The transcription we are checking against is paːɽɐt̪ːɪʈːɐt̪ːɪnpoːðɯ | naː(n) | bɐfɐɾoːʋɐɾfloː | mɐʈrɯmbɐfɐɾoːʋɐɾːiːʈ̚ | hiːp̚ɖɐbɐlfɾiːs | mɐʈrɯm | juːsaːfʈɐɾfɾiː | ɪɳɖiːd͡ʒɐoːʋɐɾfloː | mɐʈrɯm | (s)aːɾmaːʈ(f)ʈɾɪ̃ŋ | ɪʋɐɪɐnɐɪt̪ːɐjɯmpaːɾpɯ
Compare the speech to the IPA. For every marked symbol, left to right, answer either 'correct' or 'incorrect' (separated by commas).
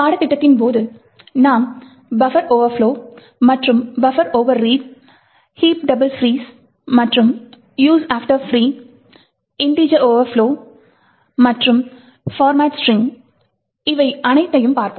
incorrect, incorrect, incorrect